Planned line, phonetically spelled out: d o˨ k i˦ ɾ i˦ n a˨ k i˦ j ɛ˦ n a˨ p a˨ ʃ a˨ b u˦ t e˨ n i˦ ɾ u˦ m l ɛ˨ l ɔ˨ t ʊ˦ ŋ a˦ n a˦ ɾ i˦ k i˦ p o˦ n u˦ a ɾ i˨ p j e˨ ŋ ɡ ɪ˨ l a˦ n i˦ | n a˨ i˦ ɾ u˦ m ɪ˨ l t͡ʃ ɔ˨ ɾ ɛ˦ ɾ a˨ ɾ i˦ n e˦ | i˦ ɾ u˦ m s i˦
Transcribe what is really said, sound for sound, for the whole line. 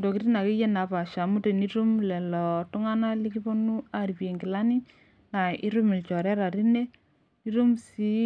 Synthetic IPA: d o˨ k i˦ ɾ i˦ n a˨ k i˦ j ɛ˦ n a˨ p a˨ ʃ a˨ m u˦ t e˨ n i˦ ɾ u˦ m l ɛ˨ l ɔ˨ t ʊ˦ ŋ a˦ n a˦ l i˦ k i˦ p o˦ n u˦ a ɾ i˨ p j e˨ ŋ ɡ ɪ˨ l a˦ n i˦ | n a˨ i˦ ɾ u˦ m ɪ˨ l t͡ʃ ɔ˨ ɾ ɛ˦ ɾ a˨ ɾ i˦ n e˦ | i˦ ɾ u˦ m s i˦